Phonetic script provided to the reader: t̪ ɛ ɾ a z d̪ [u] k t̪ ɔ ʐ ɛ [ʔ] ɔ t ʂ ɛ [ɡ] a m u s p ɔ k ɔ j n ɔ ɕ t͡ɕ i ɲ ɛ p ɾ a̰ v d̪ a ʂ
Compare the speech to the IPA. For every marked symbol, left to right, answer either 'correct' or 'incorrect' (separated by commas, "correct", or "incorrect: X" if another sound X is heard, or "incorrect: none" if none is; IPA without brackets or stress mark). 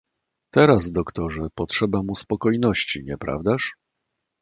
incorrect: ɔ, incorrect: p, incorrect: b